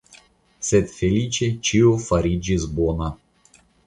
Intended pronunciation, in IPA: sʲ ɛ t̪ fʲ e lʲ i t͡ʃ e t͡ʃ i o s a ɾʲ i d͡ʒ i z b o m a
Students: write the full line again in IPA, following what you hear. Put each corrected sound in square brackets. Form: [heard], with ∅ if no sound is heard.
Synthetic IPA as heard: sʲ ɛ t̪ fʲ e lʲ i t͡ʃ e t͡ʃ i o [f] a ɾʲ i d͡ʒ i z b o [n] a